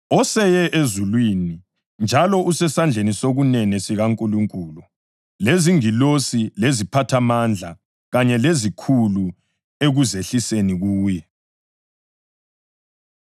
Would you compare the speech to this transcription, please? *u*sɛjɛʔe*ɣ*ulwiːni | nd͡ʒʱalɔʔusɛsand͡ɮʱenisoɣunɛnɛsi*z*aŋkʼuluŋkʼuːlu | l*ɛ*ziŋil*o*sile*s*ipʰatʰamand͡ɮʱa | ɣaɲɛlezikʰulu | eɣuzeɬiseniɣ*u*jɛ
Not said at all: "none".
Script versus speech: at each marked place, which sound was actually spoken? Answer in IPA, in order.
ɔ, z, ɣ, e, o, z, uː

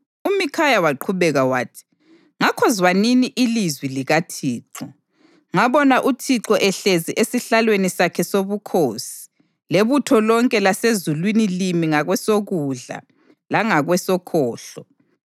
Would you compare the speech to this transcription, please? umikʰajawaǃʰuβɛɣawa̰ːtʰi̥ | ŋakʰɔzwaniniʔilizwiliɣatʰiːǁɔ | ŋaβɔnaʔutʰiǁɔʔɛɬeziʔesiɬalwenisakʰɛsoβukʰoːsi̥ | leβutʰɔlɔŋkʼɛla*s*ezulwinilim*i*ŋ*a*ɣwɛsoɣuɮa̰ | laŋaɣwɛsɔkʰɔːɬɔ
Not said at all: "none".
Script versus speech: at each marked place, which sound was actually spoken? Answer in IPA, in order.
s, i, a

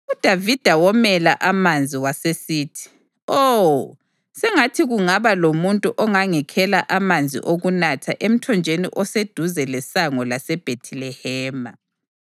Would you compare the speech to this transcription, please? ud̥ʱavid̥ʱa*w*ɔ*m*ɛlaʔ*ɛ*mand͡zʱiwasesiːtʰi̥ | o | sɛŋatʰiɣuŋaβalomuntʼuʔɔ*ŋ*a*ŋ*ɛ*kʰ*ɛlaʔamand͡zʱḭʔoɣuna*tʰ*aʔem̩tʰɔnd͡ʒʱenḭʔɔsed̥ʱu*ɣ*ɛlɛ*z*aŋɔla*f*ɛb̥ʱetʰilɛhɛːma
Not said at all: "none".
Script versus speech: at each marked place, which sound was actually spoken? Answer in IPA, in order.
w, m, a, ŋ, ŋ, kʰ, tʰ, z, s, s

